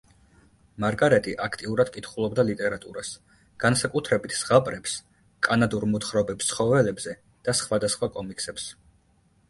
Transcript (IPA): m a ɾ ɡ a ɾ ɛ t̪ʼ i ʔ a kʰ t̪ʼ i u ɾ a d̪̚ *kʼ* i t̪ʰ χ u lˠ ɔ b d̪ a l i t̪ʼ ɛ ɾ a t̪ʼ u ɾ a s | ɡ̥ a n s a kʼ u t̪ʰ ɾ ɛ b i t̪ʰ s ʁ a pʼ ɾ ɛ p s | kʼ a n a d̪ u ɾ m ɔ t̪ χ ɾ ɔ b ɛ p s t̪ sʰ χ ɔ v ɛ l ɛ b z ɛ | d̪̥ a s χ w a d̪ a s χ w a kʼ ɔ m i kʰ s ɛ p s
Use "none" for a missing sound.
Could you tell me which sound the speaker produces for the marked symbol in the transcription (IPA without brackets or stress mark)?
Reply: kʼ